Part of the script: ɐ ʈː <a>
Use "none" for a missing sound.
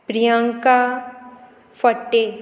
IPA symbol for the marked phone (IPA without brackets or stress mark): e